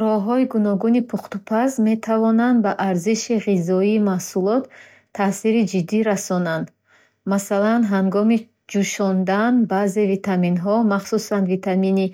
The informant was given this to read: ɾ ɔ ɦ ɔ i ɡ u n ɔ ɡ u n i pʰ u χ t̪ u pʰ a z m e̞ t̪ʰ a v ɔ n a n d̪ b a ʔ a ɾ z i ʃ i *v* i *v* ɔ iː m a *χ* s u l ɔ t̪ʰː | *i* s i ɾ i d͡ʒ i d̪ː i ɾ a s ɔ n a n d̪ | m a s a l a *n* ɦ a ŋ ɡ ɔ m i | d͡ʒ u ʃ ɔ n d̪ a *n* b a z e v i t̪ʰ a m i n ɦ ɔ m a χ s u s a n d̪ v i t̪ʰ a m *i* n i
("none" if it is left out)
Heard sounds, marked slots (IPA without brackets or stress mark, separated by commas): ʁ, z, h, a, n, n, i